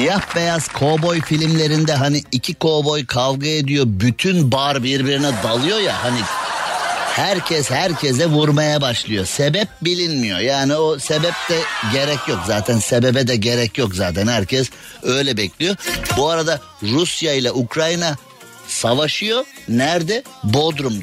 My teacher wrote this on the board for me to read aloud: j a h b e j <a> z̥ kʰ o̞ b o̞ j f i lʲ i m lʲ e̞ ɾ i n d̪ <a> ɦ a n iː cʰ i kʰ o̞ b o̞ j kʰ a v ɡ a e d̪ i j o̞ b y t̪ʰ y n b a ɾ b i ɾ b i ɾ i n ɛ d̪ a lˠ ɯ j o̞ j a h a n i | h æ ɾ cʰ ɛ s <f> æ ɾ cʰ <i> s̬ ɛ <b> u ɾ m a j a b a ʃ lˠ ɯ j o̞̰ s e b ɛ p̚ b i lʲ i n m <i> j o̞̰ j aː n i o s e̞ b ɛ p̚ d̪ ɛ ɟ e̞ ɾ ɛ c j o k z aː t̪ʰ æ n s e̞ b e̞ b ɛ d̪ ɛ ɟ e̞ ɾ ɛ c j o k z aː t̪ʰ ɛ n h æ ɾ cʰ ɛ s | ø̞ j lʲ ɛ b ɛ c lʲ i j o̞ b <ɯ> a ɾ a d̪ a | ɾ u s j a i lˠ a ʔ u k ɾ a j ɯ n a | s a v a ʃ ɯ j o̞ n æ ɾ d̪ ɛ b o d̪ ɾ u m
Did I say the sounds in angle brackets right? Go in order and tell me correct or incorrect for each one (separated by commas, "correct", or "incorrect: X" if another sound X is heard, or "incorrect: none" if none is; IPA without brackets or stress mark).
correct, incorrect: ɛ, incorrect: h, incorrect: ɛ, incorrect: v, correct, incorrect: u